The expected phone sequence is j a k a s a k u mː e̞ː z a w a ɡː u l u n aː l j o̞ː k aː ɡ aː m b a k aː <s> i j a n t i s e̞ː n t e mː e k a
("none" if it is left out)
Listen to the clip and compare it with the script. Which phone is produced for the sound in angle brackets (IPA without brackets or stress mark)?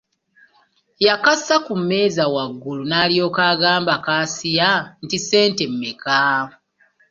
s